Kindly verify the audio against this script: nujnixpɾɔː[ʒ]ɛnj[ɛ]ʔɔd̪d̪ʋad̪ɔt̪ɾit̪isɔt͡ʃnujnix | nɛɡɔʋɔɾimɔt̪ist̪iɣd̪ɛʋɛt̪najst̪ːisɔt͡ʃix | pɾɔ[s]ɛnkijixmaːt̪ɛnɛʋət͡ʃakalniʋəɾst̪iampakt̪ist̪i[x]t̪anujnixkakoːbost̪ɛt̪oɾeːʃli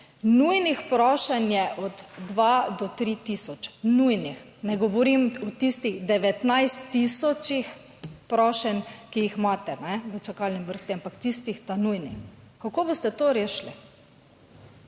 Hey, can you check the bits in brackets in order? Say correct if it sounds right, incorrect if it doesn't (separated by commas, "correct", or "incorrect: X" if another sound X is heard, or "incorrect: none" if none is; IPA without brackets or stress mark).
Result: incorrect: ʃ, correct, incorrect: ʃ, correct